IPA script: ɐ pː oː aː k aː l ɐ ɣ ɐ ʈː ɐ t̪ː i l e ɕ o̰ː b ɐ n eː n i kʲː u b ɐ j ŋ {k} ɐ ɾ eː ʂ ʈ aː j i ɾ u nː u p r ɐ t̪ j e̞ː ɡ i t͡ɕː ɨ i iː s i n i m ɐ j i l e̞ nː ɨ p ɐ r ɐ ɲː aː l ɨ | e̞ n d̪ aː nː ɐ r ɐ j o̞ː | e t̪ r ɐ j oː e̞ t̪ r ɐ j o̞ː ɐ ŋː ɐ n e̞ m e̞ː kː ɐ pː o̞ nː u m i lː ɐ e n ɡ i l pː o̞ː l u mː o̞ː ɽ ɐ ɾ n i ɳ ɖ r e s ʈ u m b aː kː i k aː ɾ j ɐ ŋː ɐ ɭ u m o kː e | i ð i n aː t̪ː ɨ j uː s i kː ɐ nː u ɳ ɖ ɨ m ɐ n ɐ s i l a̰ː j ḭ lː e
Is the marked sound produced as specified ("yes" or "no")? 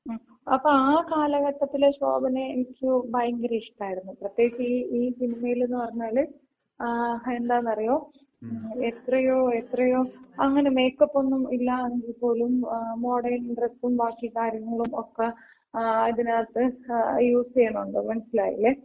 no